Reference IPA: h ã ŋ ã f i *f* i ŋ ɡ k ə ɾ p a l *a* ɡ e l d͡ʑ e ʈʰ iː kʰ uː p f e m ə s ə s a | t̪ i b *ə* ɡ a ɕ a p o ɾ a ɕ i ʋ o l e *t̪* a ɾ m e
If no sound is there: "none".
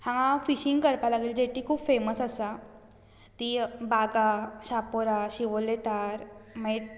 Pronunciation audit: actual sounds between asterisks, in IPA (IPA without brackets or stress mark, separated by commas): ɕ, a, a, t̪